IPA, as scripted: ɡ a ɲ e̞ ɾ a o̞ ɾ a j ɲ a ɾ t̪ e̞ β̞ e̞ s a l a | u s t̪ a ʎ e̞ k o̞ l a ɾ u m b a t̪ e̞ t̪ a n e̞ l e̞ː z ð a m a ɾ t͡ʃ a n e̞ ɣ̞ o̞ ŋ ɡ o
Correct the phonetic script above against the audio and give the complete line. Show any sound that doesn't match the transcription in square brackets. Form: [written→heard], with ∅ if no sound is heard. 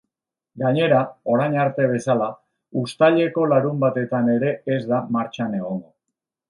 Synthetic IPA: ɡ a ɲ e̞ ɾ a o̞ ɾ a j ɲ a ɾ t̪ e̞ β̞ e̞ s a l a | u s t̪ a ʎ e̞ k o̞ l a ɾ u m b a t̪ e̞ t̪ a n e̞ [l→ɾ] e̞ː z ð a m a ɾ t͡ʃ a n e̞ ɣ̞ o̞ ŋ ɡ o

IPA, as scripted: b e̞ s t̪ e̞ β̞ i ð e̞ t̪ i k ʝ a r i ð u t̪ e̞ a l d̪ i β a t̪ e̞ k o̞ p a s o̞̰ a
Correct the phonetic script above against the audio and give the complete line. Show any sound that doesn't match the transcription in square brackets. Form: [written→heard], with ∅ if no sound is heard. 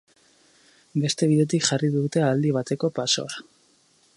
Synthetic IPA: b e̞ s t̪ e̞ β̞ i ð e̞ t̪ i k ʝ a r i ð u t̪ e̞ a l d̪ i β a t̪ e̞ k o̞ p a s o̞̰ a

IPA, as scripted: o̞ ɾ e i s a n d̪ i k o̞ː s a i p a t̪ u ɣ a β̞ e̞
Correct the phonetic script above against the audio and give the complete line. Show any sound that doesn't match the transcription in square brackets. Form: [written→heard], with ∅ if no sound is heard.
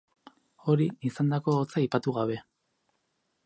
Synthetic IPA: o̞ ɾ [e→i] i s a n d̪ [i→a] k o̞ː [s→t͡s] a i p a t̪ u ɣ a β̞ e̞

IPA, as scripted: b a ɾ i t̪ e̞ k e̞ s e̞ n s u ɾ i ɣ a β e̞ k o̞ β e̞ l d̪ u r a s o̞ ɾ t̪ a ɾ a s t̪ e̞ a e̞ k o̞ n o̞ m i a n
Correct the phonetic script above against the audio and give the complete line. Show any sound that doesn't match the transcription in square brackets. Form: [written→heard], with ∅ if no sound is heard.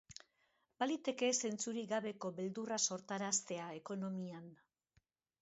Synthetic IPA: b a [ɾ→l] i t̪ e̞ k e̞ s e̞ n [s→t͡s] u ɾ i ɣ a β e̞ k o̞ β e̞ l d̪ u r a s o̞ ɾ t̪ a ɾ a s t̪ e̞ a e̞ k o̞ n o̞ m i a n

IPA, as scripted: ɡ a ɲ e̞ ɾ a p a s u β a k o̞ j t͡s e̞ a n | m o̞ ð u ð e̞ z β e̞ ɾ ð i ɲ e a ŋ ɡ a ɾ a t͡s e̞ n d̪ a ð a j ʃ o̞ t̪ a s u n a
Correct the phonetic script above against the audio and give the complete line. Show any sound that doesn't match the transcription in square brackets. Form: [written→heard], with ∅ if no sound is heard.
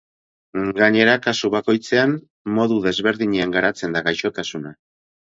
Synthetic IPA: ɡ a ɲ e̞ ɾ a [p→k] a s u β a k o̞ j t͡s e̞ a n | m o̞ ð u ð e̞ z β e̞ ɾ ð i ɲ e a ŋ ɡ a ɾ a t͡s e̞ n d̪ a [ð→ɣ] a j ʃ o̞ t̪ a s u n a

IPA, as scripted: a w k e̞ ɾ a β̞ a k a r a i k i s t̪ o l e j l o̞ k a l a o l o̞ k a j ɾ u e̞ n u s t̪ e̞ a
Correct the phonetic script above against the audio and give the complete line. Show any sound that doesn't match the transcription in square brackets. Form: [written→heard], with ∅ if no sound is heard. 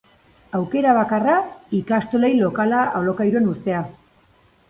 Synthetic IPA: a w k e̞ ɾ a β̞ a k a r a i k [i→a] s t̪ o l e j l o̞ k a l a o l o̞ k a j ɾ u e̞ n u s t̪ e̞ a

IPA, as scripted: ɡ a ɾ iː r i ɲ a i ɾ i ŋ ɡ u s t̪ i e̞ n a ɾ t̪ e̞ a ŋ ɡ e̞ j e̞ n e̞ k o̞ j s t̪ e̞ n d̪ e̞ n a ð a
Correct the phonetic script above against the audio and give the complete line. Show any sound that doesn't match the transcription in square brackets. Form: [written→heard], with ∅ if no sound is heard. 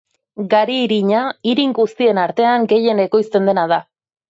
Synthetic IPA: ɡ a ɾ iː [r→ɾ] i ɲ a i ɾ i ŋ ɡ u s t̪ i e̞ n a ɾ t̪ e̞ a ŋ ɡ e̞ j e̞ n e̞ k o̞ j s t̪ e̞ n d̪ e̞ n a ð a

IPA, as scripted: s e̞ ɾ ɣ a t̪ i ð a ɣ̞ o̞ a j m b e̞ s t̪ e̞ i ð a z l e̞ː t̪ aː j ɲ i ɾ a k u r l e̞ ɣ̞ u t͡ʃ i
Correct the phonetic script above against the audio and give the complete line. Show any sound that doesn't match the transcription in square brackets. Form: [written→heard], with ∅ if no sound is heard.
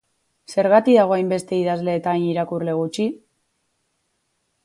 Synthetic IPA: s e̞ ɾ ɣ a t̪ i ð a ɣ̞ o̞ a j m b e̞ s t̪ e̞ i ð a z l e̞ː t̪ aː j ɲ i ɾ a k u r l e̞ ɣ̞ u t͡ʃ i

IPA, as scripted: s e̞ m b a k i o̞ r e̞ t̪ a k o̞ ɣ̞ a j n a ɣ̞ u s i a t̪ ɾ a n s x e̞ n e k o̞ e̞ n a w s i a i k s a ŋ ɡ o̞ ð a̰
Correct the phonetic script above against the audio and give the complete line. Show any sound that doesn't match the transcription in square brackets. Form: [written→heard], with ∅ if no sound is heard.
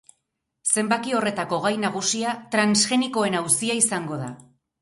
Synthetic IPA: s e̞ m b a k i o̞ r e̞ t̪ a k o̞ ɣ̞ a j n a ɣ̞ u s i a t̪ ɾ a n s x e̞ n [e→i] k o̞ e̞ n a w s i a i [k→∅] s a ŋ ɡ o̞ ð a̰

